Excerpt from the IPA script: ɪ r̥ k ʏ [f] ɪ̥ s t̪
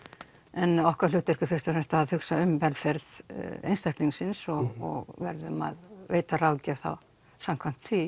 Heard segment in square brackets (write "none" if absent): f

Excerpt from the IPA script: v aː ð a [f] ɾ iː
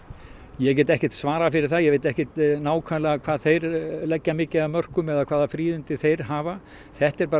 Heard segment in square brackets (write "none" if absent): f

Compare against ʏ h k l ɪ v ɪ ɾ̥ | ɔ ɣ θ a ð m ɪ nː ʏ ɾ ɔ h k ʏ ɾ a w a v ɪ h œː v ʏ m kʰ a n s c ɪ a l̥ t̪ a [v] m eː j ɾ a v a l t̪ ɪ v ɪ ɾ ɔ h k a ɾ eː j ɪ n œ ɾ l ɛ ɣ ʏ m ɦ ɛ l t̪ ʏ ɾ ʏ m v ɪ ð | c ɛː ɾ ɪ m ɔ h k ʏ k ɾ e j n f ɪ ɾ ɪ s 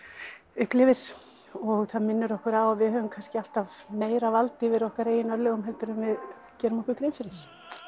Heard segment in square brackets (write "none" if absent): v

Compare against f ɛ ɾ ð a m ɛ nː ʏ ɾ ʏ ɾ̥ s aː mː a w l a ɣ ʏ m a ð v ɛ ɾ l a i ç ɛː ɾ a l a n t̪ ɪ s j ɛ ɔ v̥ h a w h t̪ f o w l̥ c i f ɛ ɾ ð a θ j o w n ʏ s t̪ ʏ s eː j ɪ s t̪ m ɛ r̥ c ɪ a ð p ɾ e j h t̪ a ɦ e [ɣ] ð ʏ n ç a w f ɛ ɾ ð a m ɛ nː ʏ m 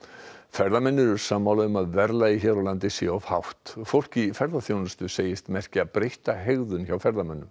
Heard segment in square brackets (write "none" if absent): ɣ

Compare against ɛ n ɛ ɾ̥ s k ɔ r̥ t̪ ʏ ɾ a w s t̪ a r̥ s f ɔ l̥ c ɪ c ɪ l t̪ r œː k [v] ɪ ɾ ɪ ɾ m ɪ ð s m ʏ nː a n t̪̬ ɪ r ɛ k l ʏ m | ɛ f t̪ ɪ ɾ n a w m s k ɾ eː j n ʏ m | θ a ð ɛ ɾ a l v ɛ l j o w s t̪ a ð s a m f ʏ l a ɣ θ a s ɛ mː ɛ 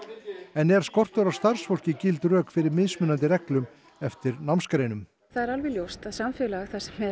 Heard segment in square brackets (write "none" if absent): f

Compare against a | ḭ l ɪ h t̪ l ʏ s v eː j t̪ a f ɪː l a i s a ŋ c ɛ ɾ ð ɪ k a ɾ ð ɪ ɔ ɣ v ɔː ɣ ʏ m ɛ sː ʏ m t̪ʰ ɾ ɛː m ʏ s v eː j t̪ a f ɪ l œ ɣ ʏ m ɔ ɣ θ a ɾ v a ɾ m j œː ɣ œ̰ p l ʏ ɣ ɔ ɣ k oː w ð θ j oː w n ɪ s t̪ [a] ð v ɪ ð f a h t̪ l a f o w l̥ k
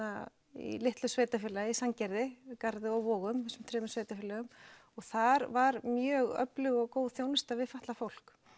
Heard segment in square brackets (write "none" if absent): a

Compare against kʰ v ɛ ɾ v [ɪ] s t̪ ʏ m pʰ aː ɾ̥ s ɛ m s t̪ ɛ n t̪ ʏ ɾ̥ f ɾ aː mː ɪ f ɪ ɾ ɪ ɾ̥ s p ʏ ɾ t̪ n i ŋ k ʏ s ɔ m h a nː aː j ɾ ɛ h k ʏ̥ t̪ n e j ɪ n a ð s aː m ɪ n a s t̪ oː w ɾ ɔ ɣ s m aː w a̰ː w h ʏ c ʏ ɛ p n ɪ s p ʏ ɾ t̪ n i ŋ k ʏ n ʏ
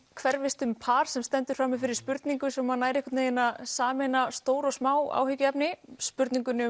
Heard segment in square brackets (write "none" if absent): ɪ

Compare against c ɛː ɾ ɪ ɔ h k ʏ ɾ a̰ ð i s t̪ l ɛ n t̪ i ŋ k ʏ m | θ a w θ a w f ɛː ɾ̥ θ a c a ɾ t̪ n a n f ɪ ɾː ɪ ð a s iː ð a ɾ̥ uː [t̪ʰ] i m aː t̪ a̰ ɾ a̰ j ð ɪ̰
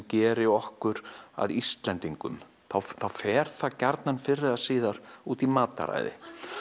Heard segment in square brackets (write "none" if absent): t̪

